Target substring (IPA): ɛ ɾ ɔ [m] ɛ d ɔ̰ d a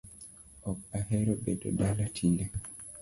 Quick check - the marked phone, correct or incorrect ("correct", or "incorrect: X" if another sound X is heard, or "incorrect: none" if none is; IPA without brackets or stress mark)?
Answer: incorrect: b